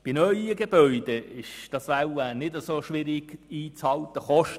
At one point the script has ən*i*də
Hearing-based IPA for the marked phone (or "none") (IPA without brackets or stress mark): ɪ